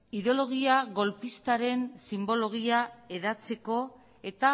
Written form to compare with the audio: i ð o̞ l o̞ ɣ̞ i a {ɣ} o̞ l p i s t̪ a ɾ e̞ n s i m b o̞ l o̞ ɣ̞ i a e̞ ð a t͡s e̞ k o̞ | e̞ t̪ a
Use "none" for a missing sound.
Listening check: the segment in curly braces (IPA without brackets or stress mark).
ɣ